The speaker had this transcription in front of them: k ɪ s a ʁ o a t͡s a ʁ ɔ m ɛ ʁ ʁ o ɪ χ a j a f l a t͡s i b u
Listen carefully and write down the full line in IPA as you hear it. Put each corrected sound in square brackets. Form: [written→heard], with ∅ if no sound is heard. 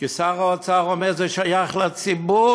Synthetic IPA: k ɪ s a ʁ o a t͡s a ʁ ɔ m ɛ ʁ [ʁ→z] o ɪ [χ→ʃ] a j a [f→χ] l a t͡s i b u